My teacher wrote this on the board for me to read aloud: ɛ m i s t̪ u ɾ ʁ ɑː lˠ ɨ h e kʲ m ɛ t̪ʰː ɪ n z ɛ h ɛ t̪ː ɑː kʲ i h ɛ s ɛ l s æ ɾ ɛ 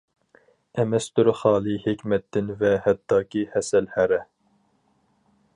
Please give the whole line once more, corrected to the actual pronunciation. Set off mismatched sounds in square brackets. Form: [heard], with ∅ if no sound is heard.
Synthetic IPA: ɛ m [ɛ] s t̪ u ɾ [χ] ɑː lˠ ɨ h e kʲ m ɛ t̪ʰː ɪ n [v] ɛ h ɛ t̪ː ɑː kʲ i h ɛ s ɛ l [h] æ ɾ ɛ